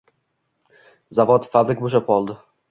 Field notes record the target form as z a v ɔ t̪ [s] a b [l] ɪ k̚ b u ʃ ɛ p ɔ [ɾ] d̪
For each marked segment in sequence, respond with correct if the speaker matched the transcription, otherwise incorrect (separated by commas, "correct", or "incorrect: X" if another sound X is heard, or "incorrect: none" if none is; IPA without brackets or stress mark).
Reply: incorrect: f, incorrect: ɾ, incorrect: l